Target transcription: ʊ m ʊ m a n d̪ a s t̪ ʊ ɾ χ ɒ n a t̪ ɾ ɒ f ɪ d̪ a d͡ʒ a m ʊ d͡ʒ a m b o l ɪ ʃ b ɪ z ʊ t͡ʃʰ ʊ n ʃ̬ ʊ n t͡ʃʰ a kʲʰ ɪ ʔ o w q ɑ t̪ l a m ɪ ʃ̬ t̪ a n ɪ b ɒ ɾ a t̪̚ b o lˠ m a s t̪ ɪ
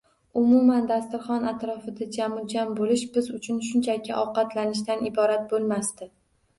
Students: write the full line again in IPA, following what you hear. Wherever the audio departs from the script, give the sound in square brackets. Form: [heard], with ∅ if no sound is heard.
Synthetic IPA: ʊ m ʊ m a n d̪ a s t̪ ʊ ɾ χ ɒ n a t̪ ɾ ɒ f ɪ d̪ a d͡ʒ a m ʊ d͡ʒ a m b o l ɪ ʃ b ɪ z ʊ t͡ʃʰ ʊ n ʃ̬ ʊ n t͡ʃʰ a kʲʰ ɪ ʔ [ɒ] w q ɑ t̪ l a [n] ɪ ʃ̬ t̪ a n ɪ b ɒ ɾ a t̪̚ b o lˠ m a s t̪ ɪ